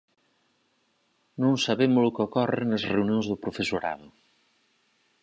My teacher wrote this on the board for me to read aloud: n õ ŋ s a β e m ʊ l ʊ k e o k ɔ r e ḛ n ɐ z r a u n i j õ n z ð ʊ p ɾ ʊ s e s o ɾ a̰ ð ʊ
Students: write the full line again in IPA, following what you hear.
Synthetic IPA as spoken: n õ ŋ s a β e m ʊ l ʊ k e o k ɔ r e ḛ n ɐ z r e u n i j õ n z ð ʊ p ɾ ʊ f e s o ɾ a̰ ð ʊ